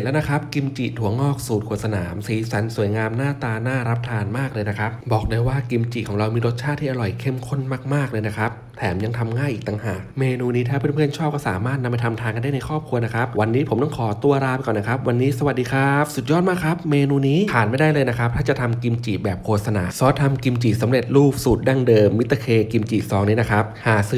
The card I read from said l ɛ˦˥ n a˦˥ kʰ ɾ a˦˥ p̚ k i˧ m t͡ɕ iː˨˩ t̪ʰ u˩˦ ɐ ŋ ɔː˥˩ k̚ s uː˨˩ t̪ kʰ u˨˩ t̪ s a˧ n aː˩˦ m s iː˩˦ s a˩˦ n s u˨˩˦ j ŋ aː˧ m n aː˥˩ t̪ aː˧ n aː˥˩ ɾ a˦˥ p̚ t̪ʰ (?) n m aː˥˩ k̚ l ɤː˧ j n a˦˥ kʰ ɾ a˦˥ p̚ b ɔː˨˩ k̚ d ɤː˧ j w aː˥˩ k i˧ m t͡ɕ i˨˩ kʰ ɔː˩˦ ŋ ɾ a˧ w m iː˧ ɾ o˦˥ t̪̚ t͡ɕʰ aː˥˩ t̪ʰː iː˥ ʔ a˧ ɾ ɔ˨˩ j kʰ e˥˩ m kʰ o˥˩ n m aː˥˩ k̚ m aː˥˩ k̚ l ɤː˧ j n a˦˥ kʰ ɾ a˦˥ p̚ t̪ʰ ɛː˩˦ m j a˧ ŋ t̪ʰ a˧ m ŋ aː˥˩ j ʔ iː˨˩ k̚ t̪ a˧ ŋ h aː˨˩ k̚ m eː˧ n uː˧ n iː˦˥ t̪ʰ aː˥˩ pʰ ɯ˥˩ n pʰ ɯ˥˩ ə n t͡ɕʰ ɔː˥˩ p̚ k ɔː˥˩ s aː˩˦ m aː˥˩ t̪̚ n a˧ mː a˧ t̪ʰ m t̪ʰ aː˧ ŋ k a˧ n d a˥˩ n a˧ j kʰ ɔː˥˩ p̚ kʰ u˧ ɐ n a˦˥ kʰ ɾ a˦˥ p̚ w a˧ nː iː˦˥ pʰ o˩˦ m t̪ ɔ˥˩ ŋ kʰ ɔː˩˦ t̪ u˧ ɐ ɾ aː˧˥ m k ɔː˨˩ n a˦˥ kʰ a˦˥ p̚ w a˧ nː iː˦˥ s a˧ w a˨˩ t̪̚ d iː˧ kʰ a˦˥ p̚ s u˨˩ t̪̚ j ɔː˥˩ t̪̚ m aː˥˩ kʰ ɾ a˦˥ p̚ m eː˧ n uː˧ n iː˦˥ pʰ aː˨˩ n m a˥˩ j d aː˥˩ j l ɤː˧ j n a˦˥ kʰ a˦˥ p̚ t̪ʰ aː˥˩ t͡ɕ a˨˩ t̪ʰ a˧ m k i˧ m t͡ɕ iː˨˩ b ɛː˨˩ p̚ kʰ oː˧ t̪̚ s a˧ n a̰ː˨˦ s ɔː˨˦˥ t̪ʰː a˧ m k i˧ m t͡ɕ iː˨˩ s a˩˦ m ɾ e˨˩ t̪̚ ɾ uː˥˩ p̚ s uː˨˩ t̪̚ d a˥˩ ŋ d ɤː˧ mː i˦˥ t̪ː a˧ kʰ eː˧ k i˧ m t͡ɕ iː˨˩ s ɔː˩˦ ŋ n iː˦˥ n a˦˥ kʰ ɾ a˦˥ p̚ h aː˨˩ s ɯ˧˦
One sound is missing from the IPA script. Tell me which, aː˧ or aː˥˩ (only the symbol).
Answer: aː˧